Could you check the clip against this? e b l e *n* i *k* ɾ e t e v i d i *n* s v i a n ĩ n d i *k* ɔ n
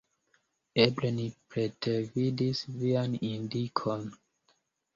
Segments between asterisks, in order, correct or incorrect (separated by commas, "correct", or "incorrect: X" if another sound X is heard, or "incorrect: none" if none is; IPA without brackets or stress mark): correct, incorrect: p, incorrect: none, incorrect: kʰ